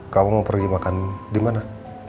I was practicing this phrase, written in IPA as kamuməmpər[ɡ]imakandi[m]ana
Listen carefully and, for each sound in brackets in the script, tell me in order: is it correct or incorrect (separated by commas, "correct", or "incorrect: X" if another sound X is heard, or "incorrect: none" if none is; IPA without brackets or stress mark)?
correct, correct